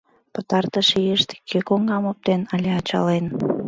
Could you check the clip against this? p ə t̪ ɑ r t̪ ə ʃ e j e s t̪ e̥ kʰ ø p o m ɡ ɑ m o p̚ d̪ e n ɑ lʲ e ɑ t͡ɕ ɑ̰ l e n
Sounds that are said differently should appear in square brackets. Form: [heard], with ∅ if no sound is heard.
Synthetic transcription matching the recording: p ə t̪ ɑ r t̪ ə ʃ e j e [ʃ] t̪ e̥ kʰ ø [k] o [ŋ] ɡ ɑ m o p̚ [t̪] e n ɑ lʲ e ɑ t͡ɕ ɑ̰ l e n